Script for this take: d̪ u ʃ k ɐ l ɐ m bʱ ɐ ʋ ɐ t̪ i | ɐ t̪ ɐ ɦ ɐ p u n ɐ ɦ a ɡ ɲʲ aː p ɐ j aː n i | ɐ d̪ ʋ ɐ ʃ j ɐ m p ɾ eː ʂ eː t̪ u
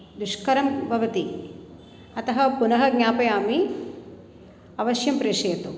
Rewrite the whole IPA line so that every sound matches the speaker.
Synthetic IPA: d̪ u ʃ k ɐ ɾ ɐ m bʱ ɐ ʋ ɐ t̪ i | ɐ t̪ ɐ ɦ ɐ p u n ɐ ɦ ɐ ɡ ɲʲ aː p ɐ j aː m i | ɐ ʋ ɐ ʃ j ɐ m p ɾ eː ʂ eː t̪ u